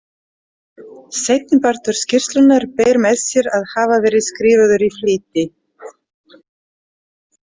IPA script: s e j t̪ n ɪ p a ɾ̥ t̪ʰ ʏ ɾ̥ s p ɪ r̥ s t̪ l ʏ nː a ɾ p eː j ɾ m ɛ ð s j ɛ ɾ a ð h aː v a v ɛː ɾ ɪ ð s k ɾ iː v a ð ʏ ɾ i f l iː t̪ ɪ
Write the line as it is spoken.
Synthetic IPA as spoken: s e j t̪ n ɪ p a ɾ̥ t̪ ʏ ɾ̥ s c ɪ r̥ s t̪ l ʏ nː a ɾ p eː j ɾ m ɛ ð s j ɛ ɾ a ð h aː v a v ɛː ɾ ɪ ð s k ɾ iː v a ð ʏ ɾ i f l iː t̪ ɪ